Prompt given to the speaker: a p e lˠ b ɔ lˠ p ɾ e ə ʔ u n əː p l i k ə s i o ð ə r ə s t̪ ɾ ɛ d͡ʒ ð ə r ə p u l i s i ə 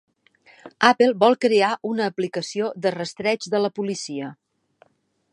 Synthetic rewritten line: a p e lˠ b ɔ lˠ k ɾ e a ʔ u n əː p l i k ə s i o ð ə r ə s t̪ ɾ ɛ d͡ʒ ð ə l ə p u l i s i ə